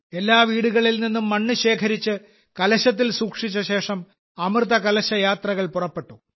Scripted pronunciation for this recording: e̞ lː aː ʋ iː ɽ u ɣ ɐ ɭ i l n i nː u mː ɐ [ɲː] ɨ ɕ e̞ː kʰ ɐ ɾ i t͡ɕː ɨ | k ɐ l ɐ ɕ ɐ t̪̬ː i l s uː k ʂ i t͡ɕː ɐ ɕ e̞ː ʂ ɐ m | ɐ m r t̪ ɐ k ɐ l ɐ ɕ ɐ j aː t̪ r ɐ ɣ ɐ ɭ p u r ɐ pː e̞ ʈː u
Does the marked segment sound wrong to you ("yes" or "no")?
yes